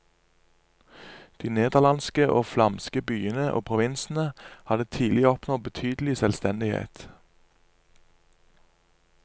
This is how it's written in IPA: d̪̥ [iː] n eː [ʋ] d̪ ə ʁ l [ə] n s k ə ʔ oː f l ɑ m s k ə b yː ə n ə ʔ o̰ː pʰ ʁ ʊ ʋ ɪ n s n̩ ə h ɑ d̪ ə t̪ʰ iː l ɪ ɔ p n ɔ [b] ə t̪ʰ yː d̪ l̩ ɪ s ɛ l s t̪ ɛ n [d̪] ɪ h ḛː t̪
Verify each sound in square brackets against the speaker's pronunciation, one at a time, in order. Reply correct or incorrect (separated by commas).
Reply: correct, incorrect, incorrect, correct, correct